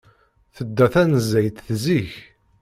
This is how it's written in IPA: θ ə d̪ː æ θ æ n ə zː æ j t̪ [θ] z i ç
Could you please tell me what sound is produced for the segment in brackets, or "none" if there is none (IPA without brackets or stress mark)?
θ